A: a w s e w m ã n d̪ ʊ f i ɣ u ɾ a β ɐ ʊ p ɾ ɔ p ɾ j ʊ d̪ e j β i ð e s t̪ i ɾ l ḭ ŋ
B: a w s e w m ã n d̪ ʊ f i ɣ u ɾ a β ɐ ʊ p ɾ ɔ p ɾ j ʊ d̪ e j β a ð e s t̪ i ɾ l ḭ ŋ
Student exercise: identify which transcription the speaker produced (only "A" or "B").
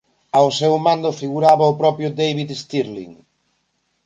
A